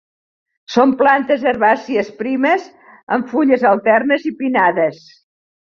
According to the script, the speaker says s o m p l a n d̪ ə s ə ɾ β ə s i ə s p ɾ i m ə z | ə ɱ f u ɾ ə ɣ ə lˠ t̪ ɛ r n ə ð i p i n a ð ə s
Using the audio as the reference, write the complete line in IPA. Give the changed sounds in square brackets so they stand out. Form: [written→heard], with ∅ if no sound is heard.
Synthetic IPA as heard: s o m p l a n [d̪→t̪] ə [s→z] ə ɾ β [ə→a] s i ə s p ɾ i m ə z | ə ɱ f u [ɾ→ʎ] ə [ɣ→z] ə lˠ t̪ ɛ r n ə [ð→z] i p i n a ð ə s